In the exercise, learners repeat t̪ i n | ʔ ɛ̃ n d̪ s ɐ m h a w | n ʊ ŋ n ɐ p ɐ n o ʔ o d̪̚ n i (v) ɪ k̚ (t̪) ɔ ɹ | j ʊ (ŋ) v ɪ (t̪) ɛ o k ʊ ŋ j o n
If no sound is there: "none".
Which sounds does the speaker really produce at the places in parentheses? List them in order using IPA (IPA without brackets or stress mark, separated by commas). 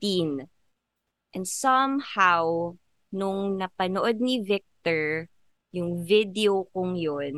v, t̪, ŋ, d̪